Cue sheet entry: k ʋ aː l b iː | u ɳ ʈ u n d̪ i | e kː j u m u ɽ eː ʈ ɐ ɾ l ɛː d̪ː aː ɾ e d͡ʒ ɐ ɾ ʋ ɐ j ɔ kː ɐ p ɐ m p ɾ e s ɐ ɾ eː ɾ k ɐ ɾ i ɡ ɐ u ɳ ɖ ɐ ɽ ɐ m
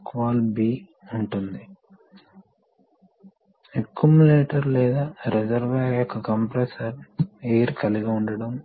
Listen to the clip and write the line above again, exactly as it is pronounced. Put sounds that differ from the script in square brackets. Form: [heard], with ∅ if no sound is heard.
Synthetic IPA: k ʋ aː l b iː | u ɳ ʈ u n d̪ i | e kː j u m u [l] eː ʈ ɐ ɾ l ɛː [d̪] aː ɾ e d͡ʒ ɐ ɾ ʋ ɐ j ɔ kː ɐ [k] ɐ m p ɾ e s ɐ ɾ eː ɾ k ɐ [l] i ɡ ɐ u ɳ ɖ ɐ ɽ ɐ m

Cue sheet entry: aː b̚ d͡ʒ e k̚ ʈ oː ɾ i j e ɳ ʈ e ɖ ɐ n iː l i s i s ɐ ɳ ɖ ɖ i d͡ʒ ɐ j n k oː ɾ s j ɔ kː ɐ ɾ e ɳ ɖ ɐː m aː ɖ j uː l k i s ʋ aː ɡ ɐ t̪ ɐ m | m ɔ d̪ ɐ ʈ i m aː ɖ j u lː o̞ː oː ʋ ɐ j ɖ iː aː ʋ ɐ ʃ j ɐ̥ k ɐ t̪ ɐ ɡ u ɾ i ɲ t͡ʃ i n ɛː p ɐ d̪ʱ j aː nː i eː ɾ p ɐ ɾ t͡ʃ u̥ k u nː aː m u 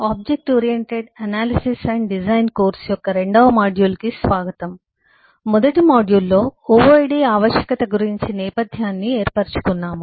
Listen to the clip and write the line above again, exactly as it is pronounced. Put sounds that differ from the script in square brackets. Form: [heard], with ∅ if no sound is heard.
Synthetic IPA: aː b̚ d͡ʒ e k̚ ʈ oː ɾ i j e ɳ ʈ e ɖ ɐ n [aː] l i s i s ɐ ɳ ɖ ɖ i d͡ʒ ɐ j n k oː ɾ s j ɔ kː ɐ ɾ e ɳ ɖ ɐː m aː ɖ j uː l k i s ʋ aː ɡ ɐ t̪ ɐ m | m ɔ d̪ ɐ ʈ i m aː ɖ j u lː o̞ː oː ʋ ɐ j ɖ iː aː ʋ ɐ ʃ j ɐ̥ k ɐ t̪ ɐ ɡ u ɾ i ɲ t͡ʃ i n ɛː p ɐ d̪ʱ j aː nː i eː ɾ p ɐ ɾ t͡ʃ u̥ k u nː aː m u

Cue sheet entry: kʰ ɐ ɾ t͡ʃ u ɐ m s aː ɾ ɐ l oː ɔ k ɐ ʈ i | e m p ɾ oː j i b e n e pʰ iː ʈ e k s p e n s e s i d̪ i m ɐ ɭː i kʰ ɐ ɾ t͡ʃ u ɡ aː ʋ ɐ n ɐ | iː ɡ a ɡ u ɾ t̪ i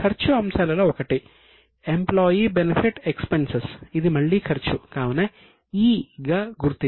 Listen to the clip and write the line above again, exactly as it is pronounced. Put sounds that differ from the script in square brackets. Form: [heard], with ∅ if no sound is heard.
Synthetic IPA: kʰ ɐ ɾ t͡ʃ u ɐ m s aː [l] ɐ l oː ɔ k ɐ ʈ i | e m p [l] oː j i b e n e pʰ [i] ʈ e k s p e n s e s i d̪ i m ɐ ɭː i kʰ ɐ ɾ t͡ʃ u [k] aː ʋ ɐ n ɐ | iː ɡ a ɡ u ɾ t̪ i

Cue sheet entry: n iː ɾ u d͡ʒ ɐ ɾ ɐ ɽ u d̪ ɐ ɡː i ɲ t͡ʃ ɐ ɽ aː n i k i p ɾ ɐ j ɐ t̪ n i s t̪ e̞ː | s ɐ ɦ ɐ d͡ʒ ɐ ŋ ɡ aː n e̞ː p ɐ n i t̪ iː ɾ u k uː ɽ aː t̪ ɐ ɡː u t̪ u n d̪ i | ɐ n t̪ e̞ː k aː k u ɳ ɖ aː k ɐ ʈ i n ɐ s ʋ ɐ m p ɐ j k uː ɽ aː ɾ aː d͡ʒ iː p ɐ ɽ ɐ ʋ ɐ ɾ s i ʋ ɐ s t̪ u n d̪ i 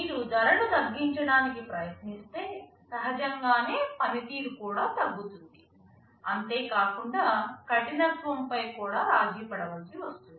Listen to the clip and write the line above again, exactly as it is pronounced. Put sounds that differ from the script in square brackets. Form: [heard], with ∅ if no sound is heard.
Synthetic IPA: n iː ɾ u d͡ʒ ɐ ɾ ɐ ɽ u [t̪] ɐ ɡː i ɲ t͡ʃ ɐ ɽ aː n i k i p ɾ ɐ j ɐ t̪ n i s t̪ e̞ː | s ɐ ɦ ɐ d͡ʒ ɐ ŋ ɡ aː n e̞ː p ɐ n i t̪ iː ɾ u k uː ɽ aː t̪ ɐ ɡː u t̪ u n d̪ i | ɐ n t̪ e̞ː k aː k u ɳ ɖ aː k ɐ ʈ i n ɐ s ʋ ɐ m p ɐ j k uː ɽ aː ɾ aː d͡ʒ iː p ɐ ɽ ɐ ʋ ɐ [l] s i ʋ ɐ s t̪ u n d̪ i

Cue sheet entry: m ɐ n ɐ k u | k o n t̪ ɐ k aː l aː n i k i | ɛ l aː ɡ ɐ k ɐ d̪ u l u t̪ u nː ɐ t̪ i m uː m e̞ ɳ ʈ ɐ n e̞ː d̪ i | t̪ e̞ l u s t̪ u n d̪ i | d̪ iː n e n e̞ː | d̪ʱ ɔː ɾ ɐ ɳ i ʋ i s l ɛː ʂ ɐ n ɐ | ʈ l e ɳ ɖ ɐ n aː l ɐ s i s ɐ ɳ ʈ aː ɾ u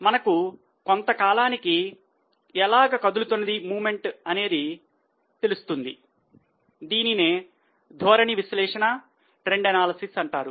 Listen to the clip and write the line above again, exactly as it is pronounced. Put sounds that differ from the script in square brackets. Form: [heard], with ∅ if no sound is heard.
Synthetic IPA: m ɐ n ɐ k u | k o n t̪ ɐ k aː l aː n i k i | ɛ l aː ɡ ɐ k ɐ d̪ u l u t̪ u nː ɐ [d̪] i m uː m e̞ ɳ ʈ ɐ n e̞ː d̪ i | t̪ e̞ l u s t̪ u n d̪ i | d̪ iː n [i] n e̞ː | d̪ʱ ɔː ɾ ɐ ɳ i ʋ i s l ɛː ʂ ɐ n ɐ | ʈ [ɾ] e ɳ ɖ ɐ n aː l ɐ s i s ɐ ɳ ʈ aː ɾ u

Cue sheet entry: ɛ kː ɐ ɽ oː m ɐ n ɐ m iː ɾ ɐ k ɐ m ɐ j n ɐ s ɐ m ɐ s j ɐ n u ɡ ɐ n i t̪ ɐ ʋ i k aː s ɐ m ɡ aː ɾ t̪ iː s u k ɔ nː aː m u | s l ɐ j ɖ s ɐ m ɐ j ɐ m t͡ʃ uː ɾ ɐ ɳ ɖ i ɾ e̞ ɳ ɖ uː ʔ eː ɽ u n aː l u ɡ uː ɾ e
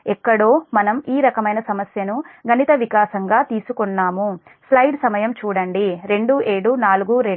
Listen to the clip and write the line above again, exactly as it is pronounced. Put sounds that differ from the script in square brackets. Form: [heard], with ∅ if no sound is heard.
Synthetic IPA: ɛ kː ɐ ɽ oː m ɐ n ɐ m iː ɾ ɐ k ɐ m ɐ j n ɐ s ɐ m ɐ s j ɐ n u ɡ ɐ n i t̪ ɐ ʋ i k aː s ɐ [ŋ] ɡ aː [∅] t̪ iː s u k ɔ nː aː m u | s l ɐ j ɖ s ɐ m ɐ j ɐ m t͡ʃ uː [ɽ] ɐ ɳ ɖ i ɾ e̞ ɳ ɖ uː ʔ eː ɽ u n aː l u ɡ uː ɾ e

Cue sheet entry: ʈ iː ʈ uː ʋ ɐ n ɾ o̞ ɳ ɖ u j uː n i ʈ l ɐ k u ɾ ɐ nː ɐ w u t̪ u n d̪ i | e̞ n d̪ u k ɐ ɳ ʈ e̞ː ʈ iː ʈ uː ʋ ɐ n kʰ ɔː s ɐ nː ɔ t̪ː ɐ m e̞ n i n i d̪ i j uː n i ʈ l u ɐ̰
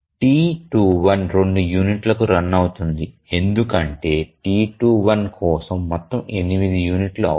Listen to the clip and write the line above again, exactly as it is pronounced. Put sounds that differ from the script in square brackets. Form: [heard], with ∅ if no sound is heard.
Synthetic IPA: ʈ iː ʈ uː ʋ ɐ n ɾ o̞ ɳ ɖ u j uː n i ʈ l ɐ k u ɾ ɐ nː ɐ w u t̪ u n d̪ i | e̞ n d̪ u k ɐ ɳ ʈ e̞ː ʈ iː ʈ uː ʋ ɐ n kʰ ɔː s ɐ [mː] ɔ t̪ː ɐ m e̞ n i [m] i d̪ i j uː n i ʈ l u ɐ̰

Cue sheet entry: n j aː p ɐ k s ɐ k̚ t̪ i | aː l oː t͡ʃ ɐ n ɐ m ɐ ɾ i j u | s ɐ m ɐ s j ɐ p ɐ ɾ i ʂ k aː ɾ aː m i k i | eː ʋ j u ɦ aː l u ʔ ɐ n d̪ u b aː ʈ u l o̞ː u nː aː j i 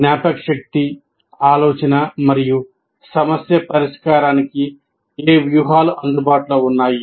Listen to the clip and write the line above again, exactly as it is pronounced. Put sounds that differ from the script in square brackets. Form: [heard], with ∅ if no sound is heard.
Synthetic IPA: n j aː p ɐ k [ʂ] ɐ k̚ t̪ i | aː l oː t͡ʃ ɐ n ɐ m ɐ ɾ i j u | s ɐ m ɐ s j ɐ p ɐ ɾ i ʂ k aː ɾ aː [n] i k i | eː ʋ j u ɦ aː l u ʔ ɐ n d̪ u b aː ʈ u l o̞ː u nː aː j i

